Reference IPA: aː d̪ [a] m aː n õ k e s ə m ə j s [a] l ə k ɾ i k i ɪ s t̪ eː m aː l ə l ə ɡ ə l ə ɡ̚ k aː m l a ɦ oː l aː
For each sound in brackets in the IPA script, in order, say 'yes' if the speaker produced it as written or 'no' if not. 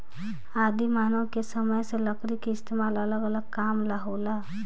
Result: no, no

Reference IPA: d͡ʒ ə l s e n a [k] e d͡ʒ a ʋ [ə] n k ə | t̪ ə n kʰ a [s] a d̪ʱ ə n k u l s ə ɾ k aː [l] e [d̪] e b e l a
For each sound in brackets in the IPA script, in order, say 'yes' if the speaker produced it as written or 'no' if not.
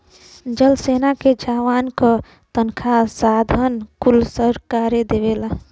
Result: yes, no, yes, no, yes

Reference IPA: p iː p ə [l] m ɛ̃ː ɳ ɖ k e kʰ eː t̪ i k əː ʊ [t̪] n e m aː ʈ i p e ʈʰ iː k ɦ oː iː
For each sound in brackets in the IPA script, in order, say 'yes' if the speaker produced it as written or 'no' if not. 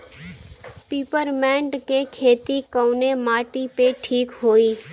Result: no, no

